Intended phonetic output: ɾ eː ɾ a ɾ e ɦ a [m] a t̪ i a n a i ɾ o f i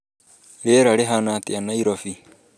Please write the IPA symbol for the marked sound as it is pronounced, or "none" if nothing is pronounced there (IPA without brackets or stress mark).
n